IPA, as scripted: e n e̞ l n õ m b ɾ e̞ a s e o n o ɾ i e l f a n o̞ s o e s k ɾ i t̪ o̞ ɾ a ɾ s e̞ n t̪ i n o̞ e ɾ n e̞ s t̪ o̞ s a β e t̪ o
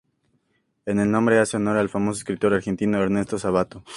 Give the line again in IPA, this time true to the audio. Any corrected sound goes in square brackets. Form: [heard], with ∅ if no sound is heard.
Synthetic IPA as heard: e n e̞ l n õ m b ɾ e̞ a s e o n o ɾ [a] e l f a [m] o̞ s o e s k ɾ i t̪ o̞ ɾ a ɾ [x] e̞ n t̪ i n o̞ e ɾ n e̞ s t̪ o̞ s a β [a] t̪ o